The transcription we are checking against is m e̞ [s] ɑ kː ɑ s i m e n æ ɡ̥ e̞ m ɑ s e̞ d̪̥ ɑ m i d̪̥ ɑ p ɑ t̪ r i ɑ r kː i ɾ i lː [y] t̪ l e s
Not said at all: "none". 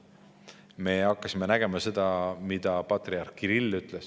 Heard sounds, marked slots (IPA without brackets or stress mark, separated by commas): none, y